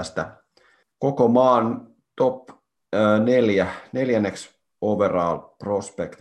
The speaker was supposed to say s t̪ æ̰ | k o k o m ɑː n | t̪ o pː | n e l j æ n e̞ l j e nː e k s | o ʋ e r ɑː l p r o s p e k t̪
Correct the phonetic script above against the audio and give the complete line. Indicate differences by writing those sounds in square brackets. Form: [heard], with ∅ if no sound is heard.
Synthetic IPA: s t̪ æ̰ | k o k o m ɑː n | t̪ o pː | n e l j æ n e̞ l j [æ] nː e k s | o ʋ e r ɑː l p r o s p e k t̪